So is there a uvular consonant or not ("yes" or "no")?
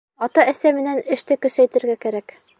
no